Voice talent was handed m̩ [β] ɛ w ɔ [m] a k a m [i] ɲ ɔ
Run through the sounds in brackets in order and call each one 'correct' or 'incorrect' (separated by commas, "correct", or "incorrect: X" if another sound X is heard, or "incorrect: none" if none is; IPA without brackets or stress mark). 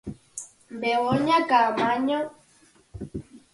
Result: incorrect: b, incorrect: ɲ, incorrect: a